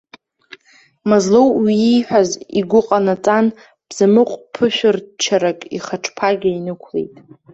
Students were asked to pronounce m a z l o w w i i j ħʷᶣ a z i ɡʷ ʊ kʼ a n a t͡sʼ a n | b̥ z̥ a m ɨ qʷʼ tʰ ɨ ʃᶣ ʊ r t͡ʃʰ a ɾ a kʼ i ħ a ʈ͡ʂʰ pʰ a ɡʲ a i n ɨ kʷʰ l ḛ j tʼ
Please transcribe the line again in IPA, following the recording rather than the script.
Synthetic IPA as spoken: m a z l o w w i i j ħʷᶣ a z i ɡʷ ʊ qʼ a n a t͡sʼ a n | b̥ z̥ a m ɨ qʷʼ pʰ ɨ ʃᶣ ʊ r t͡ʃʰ a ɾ a kʼ i χ a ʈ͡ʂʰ pʰ a ɡʲ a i n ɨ kʷʰ l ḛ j tʼ

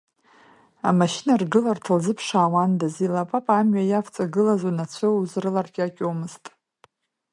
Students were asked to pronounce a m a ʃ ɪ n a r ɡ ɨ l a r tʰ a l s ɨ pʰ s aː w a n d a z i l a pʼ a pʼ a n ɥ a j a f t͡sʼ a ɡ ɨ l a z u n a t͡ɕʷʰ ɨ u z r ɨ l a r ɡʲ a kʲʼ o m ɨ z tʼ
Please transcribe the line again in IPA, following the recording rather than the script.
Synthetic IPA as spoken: a m a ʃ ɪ n a r ɡ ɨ l a r tʰ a l z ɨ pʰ ʂ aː w a n d a z i l a pʼ a pʼ a m ɥ a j a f t͡sʼ a ɡ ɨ l a z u n a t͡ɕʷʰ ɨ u z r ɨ l a r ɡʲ a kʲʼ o m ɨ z tʼ

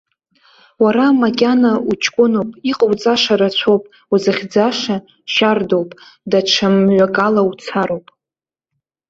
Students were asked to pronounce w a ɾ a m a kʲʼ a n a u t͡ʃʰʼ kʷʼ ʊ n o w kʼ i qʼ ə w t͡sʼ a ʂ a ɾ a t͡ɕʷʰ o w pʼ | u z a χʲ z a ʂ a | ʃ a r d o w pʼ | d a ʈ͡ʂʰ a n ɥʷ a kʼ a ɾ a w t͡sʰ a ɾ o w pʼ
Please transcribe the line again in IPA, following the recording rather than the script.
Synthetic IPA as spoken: w a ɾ a m a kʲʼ a n a u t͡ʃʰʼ kʷʼ ʊ n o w pʼ i qʼ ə w t͡sʼ a ʂ a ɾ a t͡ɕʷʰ o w pʼ | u z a χʲ d͡z a ʂ a | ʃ a r d o w pʼ | d a ʈ͡ʂʰ a m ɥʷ a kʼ a l a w t͡sʰ a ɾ o w pʼ

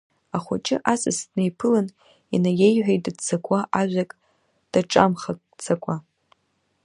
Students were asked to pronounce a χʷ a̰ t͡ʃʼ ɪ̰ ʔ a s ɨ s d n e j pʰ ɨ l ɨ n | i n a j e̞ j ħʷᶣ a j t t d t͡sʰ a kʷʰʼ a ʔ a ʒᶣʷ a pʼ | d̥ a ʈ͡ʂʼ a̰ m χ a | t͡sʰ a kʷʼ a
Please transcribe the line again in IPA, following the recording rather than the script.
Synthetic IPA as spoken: a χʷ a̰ t͡ʃʼ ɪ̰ ʔ a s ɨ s d n e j pʰ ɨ l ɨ n | i n a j e̞ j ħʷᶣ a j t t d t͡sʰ a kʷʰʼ a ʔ a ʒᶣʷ a kʼ | d̥ a ʈ͡ʂʼ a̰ m χ a | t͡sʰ a kʷʼ a

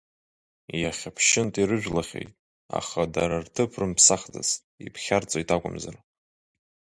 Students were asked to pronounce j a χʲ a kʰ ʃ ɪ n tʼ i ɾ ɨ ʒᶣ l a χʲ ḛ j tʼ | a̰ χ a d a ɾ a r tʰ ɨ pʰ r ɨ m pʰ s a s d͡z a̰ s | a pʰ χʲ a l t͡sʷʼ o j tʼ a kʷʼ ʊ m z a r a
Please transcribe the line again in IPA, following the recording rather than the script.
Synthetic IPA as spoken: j a χʲ a pʰ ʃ ɪ n tʼ i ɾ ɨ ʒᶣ l a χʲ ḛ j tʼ | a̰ χ a d a ɾ a r tʰ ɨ pʰ r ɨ m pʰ s a χ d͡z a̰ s | i pʰ χʲ a r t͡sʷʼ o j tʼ a kʷʼ ʊ m z a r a

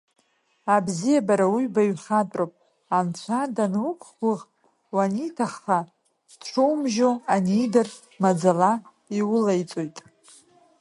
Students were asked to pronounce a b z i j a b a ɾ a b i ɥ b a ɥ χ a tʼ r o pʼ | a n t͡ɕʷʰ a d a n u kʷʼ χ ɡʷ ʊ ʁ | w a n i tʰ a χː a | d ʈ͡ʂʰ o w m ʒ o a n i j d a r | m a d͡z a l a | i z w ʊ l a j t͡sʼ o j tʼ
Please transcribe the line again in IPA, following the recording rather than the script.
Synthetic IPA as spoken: a b z i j a b a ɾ a w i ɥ b a ɥ χ a tʼ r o pʼ | a n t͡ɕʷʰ a d a n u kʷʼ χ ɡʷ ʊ ʁ | w a n i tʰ a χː a | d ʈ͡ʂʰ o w m ʒ o a n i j d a r | m a d͡z a l a | i w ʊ l a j t͡sʼ o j tʼ

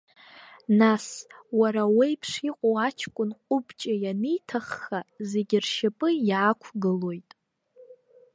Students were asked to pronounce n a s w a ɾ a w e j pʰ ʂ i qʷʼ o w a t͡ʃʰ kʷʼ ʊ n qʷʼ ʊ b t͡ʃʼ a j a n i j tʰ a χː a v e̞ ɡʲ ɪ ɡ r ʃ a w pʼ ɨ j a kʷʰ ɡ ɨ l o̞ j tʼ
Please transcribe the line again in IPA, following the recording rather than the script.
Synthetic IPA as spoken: n a s w a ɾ a w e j pʰ ʂ i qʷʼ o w a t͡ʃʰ kʷʼ ʊ n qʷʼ ʊ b t͡ʃʼ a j a n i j tʰ a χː a z e̞ ɡʲ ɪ r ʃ a pʼ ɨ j a kʷʰ ɡ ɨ l o̞ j tʼ

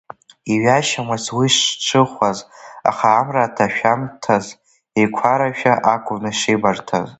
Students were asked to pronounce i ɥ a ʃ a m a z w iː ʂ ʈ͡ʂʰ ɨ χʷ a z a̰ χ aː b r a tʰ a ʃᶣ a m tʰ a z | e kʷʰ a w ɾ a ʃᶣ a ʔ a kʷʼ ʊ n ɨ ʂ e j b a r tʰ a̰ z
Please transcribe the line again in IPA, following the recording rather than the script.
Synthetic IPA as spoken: i ɥ a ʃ a m a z w i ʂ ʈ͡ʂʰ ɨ χʷ a z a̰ χ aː m r a tʰ a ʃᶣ a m tʰ a z | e kʷʰ a ɾ a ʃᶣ a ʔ a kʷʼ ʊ n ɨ ʂ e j b a r tʰ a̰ z

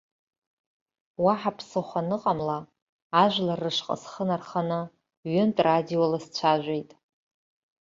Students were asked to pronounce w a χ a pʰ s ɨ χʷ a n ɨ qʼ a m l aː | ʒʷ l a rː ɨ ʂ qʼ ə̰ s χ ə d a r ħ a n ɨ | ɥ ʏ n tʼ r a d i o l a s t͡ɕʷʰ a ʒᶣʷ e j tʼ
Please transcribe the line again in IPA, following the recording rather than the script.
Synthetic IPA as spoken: w a ħ a pʰ s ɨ χʷ a n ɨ qʼ a m l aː | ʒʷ l a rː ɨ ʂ qʼ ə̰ s χ ə n a r χ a n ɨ | ɥ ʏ n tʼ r a d i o l a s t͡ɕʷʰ a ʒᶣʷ e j tʼ

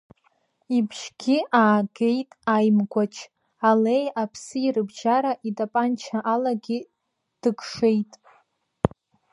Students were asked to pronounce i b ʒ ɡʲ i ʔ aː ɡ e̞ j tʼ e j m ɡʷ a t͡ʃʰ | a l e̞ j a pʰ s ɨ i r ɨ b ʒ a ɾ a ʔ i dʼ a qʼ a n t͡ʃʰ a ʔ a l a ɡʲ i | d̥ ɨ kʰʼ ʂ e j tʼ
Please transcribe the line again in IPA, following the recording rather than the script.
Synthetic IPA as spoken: i b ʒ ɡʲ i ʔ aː ɡ e̞ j tʼ a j m ɡʷ a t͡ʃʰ | a l e̞ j a pʰ s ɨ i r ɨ b ʒ a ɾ a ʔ i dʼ a pʼ a n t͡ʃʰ a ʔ a l a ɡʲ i | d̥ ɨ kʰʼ ʂ e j tʼ

